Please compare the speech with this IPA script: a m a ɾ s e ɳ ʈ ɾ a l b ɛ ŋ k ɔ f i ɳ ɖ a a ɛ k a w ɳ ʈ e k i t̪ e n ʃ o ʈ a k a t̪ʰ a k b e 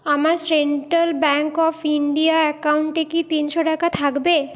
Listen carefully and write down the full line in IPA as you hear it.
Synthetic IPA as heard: a m a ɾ s e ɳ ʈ ɾ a l b ɛ ŋ k ɔ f i ɳ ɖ i a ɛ k a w ɳ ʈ e k i t̪ i n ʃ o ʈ a k a t̪ʰ a k b e